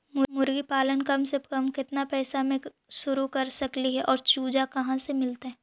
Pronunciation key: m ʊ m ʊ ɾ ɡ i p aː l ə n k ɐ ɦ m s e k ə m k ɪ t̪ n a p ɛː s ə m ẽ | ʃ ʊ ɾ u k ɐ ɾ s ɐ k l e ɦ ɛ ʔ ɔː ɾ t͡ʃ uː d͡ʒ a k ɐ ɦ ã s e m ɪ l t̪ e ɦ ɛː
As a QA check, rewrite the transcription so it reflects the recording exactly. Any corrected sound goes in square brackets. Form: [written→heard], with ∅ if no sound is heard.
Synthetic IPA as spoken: m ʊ m ʊ ɾ ɡ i p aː l ə n k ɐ [ɦ→∅] m s e k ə m k ɪ t̪ n a p ɛː s [ə→a] m ẽ | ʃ ʊ ɾ u k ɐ ɾ s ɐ k l [e→i] ɦ ɛ ʔ ɔː ɾ t͡ʃ uː d͡ʒ a k ɐ ɦ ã s e m ɪ l t̪ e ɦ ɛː

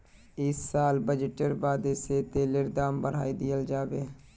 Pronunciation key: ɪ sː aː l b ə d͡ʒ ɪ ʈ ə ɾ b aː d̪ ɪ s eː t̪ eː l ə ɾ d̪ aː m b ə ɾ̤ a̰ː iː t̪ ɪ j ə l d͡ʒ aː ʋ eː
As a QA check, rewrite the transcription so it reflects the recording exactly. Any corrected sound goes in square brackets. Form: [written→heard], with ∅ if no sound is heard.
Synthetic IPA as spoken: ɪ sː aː l b ə d͡ʒ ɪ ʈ ə ɾ b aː d̪ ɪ s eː t̪ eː l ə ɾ d̪ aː m b ə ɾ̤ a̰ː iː [t̪→d̪] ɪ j ə l d͡ʒ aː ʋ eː

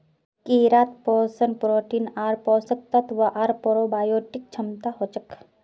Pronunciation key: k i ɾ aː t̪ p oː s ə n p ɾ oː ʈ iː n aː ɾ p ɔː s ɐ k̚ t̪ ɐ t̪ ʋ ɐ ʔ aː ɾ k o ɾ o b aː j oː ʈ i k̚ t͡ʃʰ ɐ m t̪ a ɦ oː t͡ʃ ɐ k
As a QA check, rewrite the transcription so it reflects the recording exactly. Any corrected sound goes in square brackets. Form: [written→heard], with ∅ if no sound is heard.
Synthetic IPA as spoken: k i ɾ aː t̪ p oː s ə n p ɾ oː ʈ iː n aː ɾ p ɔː s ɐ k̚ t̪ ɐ t̪ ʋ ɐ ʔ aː ɾ [k→p] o ɾ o b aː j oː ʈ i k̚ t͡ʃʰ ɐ m t̪ a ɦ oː t͡ʃ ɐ k

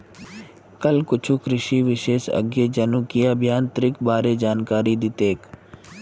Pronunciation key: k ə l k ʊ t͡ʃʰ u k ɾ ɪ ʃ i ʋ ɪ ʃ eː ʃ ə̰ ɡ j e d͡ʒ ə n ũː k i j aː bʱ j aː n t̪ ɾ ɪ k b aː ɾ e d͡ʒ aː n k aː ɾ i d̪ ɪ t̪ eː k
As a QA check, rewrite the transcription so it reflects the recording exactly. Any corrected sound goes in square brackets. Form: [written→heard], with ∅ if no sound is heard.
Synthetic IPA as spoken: k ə l k ʊ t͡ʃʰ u k ɾ ɪ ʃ i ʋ ɪ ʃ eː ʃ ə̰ ɡ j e d͡ʒ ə n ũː k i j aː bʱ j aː n t̪ ɾ ɪ k b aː ɾ e d͡ʒ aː n k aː ɾ i d̪ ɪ t̪ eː k

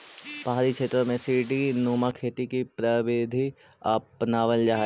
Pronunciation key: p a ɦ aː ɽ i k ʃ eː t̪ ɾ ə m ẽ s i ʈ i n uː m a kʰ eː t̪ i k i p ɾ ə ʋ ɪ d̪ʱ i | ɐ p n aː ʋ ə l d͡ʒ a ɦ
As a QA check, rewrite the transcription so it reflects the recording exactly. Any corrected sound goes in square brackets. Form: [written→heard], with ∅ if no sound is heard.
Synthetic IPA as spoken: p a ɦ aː [ɽ→ɾ] i k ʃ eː t̪ ɾ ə m ẽ s i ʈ i n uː m a kʰ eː t̪ i k i p ɾ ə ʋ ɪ d̪ʱ i | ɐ p n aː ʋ ə l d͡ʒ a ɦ

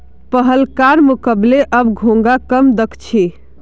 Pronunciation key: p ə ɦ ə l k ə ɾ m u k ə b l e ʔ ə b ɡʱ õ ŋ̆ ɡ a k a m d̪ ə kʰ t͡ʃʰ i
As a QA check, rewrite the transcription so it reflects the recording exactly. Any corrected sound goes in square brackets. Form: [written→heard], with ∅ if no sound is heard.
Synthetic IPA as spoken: p ə ɦ ə l k [ə→a] ɾ m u k ə b l e ʔ ə b ɡʱ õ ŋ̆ ɡ a k [a→ə] m d̪ ə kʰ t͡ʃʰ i

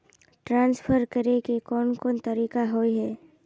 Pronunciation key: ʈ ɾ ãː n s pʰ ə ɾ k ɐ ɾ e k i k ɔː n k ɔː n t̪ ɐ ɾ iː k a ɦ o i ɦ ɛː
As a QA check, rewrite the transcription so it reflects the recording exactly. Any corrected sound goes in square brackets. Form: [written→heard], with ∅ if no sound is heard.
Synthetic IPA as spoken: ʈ ɾ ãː n s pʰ ə ɾ k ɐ ɾ e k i k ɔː n k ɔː n t̪ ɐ ɾ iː k a ɦ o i ɦ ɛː

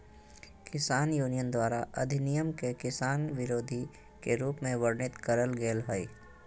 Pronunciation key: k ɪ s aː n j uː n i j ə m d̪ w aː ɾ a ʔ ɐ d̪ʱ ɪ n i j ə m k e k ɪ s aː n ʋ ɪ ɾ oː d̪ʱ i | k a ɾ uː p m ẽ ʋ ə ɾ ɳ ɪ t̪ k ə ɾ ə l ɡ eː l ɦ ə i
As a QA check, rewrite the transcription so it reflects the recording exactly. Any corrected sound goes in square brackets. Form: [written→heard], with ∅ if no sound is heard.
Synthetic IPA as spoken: k ɪ s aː n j uː n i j ə [m→n] d̪ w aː ɾ a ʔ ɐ d̪ʱ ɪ n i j ə m k e k ɪ s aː n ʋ ɪ ɾ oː d̪ʱ i | k [a→e] ɾ uː p m ẽ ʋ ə ɾ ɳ ɪ t̪ k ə ɾ ə l ɡ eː l ɦ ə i

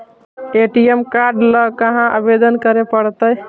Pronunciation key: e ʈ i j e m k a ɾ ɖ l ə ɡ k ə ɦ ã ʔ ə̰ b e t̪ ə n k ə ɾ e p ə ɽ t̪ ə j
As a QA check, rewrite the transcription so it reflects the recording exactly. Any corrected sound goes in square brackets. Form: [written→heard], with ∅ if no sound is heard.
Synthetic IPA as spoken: e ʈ i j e m k a ɾ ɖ l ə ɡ k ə ɦ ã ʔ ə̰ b e [t̪→d̪] ə n k ə ɾ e p ə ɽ t̪ ə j

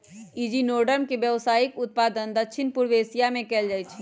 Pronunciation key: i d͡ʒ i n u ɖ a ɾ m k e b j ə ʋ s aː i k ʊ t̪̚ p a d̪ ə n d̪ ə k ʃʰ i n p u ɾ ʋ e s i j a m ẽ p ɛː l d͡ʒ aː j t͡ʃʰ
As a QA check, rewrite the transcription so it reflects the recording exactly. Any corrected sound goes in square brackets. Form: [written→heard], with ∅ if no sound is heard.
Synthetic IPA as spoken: i d͡ʒ i n [u→o] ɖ [a→ə] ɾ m k e b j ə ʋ s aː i k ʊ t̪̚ p a d̪ ə n d̪ ə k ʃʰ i n p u ɾ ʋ e s i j a m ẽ [p→k] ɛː l d͡ʒ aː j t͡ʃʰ

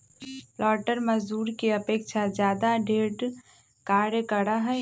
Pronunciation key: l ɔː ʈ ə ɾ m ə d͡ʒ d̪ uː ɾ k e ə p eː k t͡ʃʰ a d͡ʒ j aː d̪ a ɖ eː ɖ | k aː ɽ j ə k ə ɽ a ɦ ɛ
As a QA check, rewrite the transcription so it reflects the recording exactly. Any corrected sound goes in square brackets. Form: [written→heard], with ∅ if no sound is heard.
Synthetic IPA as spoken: l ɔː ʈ ə ɾ m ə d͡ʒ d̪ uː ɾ k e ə p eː k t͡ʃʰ a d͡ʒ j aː d̪ a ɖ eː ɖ | k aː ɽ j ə k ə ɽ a ɦ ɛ

